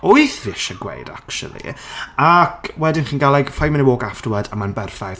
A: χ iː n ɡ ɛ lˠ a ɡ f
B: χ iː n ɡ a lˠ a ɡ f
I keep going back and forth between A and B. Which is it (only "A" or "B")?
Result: B